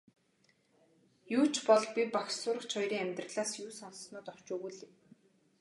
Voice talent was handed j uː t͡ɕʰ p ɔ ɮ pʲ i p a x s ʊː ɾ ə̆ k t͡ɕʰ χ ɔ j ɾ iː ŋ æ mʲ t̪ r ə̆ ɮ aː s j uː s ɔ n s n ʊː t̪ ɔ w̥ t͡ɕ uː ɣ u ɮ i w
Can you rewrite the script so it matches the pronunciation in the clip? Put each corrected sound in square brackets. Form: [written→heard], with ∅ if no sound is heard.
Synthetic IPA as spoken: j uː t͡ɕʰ p ɔ ɮ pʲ i p a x s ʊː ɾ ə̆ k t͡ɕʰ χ ɔ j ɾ iː ŋ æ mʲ t̪ r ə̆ ɮ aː s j uː s ɔ n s n ʊː t̪ ɔ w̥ t͡ɕ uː ɣ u ɮ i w